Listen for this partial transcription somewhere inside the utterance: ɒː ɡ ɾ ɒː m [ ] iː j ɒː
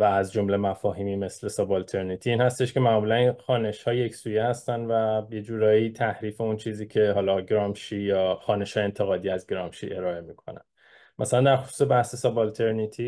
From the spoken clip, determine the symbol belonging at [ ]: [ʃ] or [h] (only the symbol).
ʃ